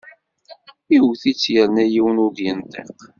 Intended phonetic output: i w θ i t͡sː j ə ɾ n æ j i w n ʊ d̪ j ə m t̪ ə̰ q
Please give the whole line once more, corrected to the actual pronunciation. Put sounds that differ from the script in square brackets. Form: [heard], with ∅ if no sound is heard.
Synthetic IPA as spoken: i w θ i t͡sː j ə ɾ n æ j i w n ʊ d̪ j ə [n] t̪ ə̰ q